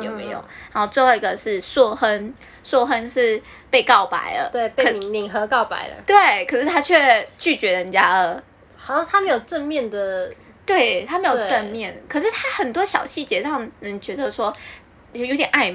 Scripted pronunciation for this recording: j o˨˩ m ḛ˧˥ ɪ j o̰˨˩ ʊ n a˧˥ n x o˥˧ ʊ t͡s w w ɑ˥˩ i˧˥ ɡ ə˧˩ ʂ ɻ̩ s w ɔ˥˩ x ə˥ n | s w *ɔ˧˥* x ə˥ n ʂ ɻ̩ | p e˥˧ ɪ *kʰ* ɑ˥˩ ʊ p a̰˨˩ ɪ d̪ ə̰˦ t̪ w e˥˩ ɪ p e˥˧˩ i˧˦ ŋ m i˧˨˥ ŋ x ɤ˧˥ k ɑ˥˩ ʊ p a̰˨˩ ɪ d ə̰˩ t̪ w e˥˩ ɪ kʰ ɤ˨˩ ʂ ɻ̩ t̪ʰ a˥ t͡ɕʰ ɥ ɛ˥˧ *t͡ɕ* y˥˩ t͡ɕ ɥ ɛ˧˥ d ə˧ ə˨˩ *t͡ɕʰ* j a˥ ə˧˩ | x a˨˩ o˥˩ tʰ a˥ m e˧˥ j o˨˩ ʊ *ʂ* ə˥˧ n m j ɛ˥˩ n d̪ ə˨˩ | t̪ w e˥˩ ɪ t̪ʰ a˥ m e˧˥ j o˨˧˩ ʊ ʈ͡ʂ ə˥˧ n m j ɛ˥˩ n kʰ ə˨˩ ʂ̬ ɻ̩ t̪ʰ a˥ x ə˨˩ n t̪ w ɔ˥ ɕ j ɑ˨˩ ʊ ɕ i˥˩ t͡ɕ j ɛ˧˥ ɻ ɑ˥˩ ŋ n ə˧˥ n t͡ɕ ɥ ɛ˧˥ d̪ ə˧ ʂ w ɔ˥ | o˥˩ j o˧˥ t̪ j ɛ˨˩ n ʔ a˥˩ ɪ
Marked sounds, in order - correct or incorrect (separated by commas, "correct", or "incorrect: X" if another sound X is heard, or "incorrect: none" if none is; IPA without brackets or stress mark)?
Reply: incorrect: ɔ˥˧, incorrect: k, correct, incorrect: t͡ɕ, incorrect: ʈ͡ʂ